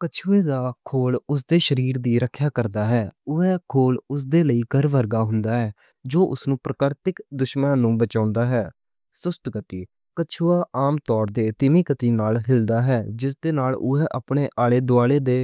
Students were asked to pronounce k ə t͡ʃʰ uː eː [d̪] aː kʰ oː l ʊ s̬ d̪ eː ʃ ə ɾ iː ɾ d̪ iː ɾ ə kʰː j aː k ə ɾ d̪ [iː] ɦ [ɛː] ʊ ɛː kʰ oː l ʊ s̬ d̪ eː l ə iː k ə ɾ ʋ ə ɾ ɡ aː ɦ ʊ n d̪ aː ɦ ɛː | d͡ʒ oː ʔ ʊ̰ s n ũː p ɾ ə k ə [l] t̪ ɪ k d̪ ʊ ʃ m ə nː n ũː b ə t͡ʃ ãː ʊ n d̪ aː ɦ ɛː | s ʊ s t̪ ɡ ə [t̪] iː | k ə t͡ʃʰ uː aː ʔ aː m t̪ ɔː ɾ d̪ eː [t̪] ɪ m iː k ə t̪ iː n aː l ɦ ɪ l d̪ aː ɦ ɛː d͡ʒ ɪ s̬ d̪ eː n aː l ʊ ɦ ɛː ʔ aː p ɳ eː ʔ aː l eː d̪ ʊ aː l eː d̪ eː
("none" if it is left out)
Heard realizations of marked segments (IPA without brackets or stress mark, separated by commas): d̪, aː, ɛː, ɾ, t̪, t̪